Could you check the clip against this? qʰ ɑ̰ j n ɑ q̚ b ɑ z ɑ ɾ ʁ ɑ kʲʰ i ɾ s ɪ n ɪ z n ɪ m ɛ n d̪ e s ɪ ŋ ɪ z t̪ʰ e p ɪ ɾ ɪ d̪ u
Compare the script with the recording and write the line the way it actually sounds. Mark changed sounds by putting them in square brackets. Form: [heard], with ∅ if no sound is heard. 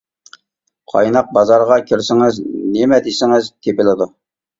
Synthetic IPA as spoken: qʰ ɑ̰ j n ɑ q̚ b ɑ z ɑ ɾ ʁ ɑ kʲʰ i ɾ s ɪ [ŋ] ɪ z n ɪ m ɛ [∅] d̪ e s ɪ ŋ ɪ z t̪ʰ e p ɪ [l] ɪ d̪ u